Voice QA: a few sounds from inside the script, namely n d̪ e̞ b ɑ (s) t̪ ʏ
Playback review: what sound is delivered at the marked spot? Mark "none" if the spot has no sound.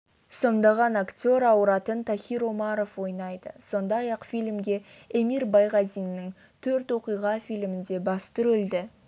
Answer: s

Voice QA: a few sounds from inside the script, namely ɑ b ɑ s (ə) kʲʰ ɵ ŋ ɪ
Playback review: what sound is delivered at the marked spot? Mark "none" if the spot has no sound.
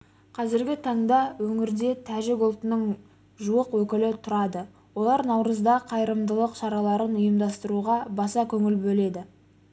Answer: ɑ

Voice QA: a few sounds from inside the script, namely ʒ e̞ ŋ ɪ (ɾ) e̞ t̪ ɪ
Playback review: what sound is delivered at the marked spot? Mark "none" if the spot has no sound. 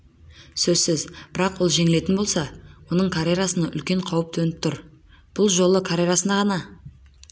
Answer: l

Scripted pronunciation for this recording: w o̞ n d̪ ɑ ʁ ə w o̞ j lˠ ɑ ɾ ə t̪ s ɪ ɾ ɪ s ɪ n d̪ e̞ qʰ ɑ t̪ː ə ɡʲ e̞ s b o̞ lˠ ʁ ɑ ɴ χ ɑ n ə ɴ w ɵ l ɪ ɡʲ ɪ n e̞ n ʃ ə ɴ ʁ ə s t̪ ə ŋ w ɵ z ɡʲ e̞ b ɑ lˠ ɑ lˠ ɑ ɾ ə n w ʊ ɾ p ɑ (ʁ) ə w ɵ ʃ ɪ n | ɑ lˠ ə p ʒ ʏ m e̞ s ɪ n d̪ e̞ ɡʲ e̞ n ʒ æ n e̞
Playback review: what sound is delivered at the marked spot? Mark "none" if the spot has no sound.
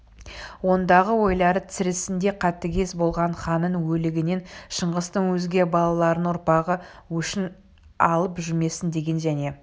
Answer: ʁ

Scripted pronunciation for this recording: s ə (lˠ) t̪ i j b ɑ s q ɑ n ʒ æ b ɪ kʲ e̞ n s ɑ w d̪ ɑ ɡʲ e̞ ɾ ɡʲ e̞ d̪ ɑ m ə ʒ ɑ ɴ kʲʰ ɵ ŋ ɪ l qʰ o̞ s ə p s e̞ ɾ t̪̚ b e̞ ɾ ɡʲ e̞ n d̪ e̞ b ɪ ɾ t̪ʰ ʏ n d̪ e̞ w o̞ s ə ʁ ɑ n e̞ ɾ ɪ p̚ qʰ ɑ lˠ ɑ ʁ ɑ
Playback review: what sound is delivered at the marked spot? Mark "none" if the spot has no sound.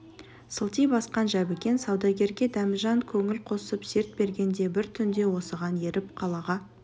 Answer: lˠ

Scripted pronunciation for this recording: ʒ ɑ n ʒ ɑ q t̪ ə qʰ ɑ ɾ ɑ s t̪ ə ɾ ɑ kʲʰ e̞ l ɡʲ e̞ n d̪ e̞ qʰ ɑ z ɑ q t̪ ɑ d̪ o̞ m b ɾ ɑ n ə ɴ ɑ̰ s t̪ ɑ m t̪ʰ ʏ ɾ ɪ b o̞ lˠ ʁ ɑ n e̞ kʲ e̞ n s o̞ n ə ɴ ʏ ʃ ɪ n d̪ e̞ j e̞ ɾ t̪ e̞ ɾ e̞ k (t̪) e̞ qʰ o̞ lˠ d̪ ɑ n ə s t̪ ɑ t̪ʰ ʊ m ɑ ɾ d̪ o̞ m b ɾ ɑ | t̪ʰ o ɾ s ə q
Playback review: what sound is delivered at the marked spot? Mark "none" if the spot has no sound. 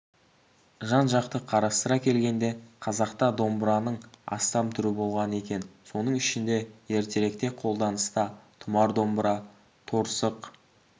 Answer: t̪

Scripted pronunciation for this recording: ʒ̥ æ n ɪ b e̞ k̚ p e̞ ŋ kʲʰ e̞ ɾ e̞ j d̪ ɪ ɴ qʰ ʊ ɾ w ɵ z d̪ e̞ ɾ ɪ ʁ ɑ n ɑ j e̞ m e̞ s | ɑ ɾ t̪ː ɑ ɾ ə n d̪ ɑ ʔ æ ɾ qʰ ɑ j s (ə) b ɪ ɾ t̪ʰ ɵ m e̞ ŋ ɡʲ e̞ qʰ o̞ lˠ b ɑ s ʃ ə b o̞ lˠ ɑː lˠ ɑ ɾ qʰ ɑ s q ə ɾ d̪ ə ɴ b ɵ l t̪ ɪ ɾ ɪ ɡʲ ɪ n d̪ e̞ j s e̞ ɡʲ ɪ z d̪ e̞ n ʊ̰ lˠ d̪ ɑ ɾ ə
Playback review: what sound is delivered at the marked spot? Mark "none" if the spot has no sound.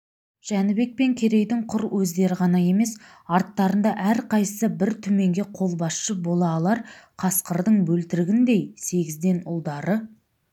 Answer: ə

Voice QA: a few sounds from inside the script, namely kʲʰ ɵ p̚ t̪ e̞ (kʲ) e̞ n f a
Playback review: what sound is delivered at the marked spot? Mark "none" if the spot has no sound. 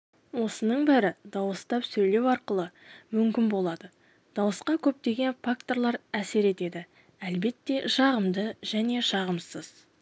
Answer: ɡʲ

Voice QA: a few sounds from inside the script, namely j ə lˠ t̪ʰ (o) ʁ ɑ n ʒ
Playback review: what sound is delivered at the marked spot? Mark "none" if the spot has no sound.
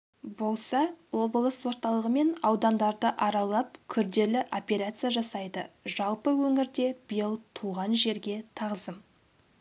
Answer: u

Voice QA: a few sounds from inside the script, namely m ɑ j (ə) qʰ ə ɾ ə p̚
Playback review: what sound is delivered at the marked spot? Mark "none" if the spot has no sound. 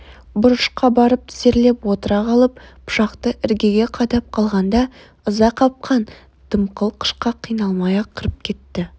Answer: ɑ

